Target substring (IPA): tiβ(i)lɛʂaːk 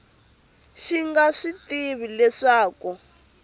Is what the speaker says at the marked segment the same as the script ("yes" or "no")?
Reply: yes